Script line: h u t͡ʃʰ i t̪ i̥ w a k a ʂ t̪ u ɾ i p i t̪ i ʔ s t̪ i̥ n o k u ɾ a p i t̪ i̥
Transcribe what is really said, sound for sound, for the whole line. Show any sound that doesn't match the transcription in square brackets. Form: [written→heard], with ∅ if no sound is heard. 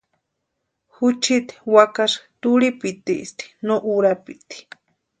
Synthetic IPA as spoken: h u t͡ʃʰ i t̪ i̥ w a k a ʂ t̪ u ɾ i p i t̪ i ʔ s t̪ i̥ n o [k→ʔ] u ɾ a p i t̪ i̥